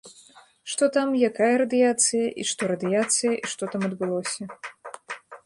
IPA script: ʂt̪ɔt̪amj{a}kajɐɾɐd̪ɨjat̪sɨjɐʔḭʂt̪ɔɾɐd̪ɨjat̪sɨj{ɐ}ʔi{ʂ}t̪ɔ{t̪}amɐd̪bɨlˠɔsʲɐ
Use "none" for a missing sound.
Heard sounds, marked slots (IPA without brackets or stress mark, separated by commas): a, ɐ, ʂ, t̪